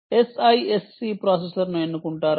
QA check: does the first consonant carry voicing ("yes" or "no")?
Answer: no